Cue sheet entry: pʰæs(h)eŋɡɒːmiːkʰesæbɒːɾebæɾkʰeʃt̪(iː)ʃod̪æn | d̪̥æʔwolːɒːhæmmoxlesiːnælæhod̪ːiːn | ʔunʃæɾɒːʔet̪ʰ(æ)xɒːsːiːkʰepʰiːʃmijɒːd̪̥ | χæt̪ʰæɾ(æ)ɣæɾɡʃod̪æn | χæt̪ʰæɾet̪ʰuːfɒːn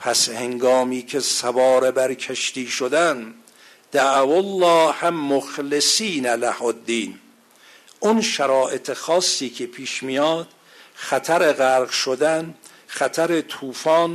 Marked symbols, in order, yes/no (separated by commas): yes, yes, no, no